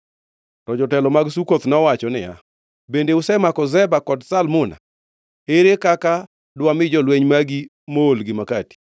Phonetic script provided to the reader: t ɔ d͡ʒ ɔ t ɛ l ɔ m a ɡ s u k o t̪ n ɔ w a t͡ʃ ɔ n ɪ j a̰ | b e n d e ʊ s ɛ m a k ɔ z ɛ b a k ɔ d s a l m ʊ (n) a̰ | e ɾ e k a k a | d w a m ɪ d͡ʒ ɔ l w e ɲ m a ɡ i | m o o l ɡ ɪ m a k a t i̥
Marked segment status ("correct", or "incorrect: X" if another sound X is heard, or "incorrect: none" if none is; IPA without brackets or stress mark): correct